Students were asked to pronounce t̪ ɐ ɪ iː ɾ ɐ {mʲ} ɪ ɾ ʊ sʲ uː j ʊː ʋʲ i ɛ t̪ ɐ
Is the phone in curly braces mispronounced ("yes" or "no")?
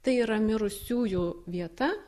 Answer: no